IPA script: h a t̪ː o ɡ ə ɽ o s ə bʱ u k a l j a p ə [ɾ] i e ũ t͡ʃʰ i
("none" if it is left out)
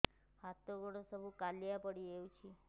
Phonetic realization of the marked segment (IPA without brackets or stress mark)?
ɽ